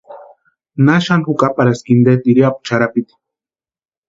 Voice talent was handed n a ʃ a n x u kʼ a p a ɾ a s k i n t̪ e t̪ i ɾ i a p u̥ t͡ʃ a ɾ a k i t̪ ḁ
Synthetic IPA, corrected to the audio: n a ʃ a n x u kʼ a p a ɾ a s k i n d̪ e t̪ i ɾ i a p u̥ t͡ʃ a ɾ a p i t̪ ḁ

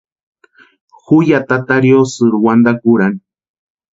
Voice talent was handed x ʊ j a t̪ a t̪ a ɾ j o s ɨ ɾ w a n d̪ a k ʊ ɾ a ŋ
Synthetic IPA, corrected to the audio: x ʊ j a t̪ a t̪ a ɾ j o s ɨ ɾ w a n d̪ a k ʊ ɾ a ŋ

